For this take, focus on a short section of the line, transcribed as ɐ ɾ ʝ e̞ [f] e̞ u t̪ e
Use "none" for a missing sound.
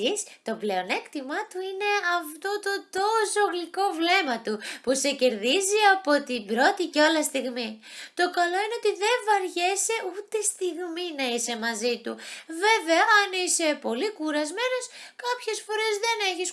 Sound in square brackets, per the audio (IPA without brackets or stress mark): s